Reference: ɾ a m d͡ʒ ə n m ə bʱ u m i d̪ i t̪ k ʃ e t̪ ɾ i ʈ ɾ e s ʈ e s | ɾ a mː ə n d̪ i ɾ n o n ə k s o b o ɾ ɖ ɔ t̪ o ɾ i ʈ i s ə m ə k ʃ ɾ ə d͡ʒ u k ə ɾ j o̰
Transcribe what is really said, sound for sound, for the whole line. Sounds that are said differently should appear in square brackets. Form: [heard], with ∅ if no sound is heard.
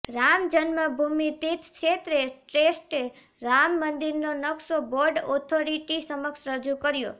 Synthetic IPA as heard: ɾ a m d͡ʒ ə n m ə bʱ u m i [t̪] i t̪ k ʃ e t̪ ɾ [e] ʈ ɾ e s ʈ e [∅] | ɾ a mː ə n d̪ i ɾ n o n ə k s o b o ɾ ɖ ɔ [t̪ʰ] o ɾ i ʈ i s ə m ə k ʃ ɾ ə d͡ʒ u k ə ɾ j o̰